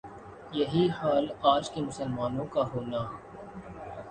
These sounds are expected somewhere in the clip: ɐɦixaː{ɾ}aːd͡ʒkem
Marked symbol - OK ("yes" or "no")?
no